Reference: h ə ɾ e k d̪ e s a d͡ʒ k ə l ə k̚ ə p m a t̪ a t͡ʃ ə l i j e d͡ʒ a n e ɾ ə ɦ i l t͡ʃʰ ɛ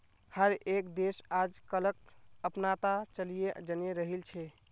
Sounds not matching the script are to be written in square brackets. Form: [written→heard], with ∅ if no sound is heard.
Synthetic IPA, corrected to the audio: h ə ɾ e k d̪ e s a d͡ʒ k ə l ə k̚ ə p [m→n] a t̪ a t͡ʃ ə l i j e d͡ʒ [a→ə] n e ɾ ə ɦ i l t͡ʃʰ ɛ